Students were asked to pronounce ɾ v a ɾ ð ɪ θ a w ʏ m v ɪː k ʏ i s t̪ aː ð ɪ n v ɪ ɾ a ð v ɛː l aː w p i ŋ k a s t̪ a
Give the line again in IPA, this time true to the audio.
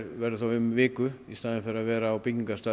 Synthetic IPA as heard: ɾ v ɛ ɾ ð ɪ θ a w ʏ m v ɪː k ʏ i s t̪ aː ð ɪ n f ɪ ɾ a ð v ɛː ɾ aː w p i ŋ k a s t̪ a